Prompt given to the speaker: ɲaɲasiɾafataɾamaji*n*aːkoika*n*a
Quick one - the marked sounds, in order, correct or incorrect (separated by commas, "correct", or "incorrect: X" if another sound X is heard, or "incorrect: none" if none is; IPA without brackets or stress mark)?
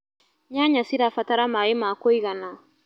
incorrect: m, correct